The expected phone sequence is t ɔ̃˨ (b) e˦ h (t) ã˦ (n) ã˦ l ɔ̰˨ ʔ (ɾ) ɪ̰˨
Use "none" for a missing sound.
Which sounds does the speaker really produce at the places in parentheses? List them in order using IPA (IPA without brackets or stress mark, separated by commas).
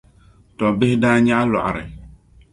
b, d, ɲ, ɾ